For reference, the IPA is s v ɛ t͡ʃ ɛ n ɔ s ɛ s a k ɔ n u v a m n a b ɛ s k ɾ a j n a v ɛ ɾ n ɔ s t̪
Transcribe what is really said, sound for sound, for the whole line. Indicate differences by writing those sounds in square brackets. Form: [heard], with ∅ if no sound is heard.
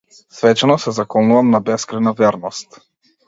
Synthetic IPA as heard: s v ɛ t͡ʃ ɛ n ɔ s ɛ [z] a k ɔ n u v a m n a b ɛ s k ɾ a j n a v ɛ ɾ n ɔ s t̪